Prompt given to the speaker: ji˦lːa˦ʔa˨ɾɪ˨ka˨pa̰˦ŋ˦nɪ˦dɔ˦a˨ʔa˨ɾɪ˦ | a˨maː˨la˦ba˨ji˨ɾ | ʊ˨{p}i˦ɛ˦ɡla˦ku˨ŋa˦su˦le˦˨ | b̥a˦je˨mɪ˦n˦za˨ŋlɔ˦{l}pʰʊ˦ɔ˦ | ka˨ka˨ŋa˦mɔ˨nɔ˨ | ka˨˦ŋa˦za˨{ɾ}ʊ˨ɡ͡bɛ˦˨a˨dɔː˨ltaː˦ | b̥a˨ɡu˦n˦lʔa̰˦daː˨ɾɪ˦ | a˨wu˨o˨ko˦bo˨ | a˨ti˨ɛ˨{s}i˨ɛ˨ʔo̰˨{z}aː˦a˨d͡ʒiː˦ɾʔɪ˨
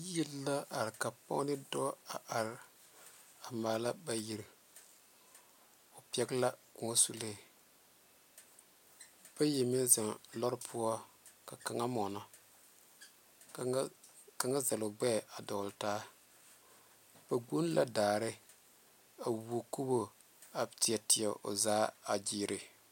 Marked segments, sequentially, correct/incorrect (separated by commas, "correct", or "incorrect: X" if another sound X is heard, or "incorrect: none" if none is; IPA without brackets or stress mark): correct, incorrect: ɾ, incorrect: l, incorrect: t, correct